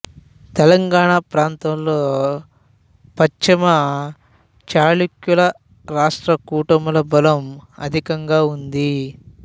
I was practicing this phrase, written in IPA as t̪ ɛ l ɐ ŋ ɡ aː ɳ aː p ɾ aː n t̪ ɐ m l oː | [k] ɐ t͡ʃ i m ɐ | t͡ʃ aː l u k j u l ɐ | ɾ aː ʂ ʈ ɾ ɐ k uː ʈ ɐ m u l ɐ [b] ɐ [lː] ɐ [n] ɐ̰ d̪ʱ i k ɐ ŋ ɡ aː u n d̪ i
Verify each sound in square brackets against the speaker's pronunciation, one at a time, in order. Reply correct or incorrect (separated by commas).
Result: incorrect, correct, incorrect, incorrect